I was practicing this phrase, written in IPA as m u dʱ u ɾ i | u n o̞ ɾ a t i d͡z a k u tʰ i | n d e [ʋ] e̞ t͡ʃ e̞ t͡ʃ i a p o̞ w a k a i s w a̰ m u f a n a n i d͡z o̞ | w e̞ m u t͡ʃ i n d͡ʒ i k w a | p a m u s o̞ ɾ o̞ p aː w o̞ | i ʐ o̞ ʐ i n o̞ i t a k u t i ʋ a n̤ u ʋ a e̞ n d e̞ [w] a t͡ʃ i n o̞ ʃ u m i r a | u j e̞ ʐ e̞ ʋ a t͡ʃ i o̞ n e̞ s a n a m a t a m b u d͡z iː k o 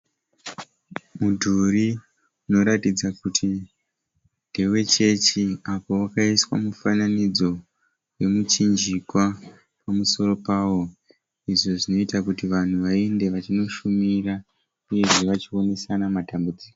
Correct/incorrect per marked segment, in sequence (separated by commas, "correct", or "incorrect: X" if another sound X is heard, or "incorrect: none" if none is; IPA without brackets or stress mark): incorrect: w, incorrect: ʋ